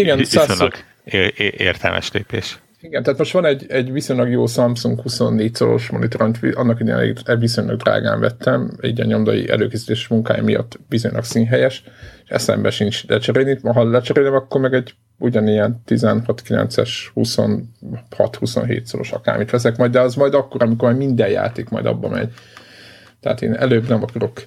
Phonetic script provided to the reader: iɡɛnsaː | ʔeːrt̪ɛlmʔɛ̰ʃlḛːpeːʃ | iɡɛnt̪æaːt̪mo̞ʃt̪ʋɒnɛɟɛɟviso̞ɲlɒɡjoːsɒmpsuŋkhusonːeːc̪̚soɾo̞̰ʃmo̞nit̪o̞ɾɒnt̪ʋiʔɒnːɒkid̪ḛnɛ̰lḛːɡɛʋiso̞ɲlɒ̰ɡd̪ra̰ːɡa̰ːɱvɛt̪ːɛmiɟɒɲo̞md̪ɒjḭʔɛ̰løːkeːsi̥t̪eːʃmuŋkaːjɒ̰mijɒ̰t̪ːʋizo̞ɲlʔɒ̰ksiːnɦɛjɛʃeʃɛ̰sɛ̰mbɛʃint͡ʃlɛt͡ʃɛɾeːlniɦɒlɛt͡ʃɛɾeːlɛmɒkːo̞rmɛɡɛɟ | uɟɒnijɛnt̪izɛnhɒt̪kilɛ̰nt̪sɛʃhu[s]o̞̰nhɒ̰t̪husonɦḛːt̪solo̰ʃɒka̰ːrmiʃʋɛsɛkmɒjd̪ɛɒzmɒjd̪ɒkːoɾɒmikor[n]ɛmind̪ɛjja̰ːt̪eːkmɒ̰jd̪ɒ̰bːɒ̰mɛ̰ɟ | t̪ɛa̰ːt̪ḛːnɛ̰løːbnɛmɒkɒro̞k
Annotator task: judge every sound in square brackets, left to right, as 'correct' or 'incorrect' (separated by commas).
correct, incorrect